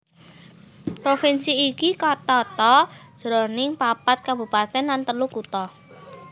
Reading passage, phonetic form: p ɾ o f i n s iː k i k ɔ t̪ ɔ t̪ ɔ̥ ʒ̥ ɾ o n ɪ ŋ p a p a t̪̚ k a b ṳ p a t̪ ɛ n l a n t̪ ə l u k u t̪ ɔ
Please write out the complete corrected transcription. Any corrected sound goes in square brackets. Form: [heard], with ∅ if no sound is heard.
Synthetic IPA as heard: p ɾ o f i n s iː k i k ɔ t̪ ɔ t̪ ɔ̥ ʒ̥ ɾ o n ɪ ŋ p a p a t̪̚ k a b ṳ p a t̪ ɛ n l a n t̪ ə l u k u t̪ ɔ